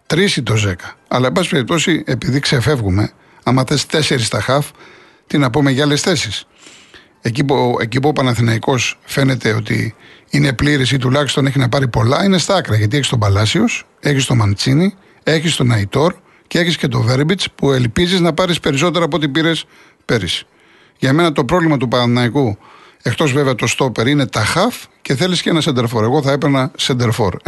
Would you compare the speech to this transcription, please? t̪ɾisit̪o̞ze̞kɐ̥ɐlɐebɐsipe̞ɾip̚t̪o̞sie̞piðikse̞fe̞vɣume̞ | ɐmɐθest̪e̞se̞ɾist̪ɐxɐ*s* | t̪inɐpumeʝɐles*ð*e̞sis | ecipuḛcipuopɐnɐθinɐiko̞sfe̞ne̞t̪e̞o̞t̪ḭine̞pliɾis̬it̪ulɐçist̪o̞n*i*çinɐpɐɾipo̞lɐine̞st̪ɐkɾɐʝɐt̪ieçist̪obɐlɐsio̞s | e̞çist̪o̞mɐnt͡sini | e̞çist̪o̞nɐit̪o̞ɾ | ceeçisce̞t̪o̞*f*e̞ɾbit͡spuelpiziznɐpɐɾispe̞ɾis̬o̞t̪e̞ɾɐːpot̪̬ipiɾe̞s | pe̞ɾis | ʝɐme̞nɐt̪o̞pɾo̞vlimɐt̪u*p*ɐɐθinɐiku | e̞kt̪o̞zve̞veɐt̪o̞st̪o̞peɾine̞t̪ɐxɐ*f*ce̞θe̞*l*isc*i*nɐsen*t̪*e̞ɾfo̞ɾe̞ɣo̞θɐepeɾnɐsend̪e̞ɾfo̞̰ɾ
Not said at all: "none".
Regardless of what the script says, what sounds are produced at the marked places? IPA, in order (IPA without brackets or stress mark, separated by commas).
f, θ, e, v, p, f, l, e, d̪